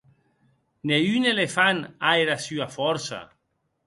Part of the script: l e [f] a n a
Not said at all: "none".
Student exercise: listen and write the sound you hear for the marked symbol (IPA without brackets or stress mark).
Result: f